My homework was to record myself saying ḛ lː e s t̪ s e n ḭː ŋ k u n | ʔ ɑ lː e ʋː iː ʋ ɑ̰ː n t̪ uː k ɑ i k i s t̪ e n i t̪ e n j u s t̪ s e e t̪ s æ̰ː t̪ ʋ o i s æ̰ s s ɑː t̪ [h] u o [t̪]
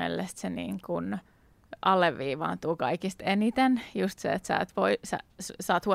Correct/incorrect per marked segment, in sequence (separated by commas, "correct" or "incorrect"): correct, incorrect